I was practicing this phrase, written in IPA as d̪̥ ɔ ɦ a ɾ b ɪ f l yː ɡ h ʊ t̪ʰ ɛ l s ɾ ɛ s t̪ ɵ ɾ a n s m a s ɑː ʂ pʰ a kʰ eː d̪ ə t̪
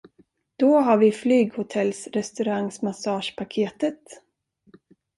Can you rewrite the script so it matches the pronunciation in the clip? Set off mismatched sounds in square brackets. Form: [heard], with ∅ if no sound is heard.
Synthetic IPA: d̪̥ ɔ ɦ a ɾ [v] ɪ f l yː ɡ h ʊ t̪ʰ ɛ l s ɾ ɛ s t̪ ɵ ɾ a [ŋ] s m a s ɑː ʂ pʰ a kʰ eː [t̪] ə t̪